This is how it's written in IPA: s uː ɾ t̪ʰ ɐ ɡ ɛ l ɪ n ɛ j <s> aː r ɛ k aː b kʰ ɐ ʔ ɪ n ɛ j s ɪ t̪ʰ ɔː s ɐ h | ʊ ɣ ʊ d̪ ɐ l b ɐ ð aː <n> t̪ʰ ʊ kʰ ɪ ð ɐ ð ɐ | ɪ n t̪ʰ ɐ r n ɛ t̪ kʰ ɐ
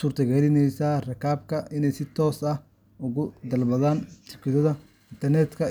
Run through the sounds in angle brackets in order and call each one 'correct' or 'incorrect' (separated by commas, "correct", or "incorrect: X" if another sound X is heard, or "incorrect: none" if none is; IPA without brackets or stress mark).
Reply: correct, correct